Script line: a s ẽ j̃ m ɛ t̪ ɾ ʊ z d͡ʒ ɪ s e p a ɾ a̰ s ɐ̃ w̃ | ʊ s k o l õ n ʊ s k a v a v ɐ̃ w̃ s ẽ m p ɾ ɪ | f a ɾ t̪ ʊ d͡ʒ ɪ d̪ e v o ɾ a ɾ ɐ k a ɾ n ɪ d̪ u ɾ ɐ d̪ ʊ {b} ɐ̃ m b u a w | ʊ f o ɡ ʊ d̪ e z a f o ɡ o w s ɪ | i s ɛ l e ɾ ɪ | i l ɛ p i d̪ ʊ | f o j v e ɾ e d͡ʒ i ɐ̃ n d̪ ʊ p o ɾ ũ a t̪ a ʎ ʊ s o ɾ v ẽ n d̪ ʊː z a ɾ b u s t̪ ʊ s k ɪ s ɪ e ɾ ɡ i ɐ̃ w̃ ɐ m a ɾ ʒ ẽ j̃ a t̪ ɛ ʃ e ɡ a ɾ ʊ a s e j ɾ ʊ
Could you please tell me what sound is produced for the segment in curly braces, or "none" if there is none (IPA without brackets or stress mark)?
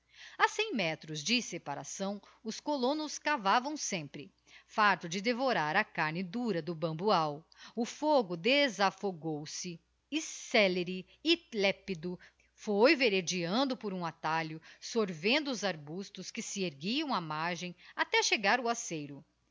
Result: b